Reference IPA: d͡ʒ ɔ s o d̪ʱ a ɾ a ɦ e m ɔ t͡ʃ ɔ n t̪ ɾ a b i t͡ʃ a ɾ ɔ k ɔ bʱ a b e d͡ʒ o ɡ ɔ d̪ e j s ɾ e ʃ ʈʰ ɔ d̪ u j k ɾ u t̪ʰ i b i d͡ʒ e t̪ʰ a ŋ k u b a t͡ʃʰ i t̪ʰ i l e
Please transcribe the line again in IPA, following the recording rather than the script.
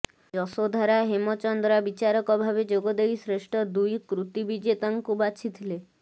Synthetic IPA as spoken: d͡ʒ ɔ s o d̪ʱ a ɾ a ɦ e m ɔ t͡ʃ ɔ n d̪ ɾ a b i t͡ʃ a ɾ ɔ k ɔ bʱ a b e d͡ʒ o ɡ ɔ d̪ e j s ɾ e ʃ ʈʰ ɔ d̪ u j k ɾ u t̪ i b i d͡ʒ e t̪ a ŋ k u b a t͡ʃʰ i t̪ʰ i l e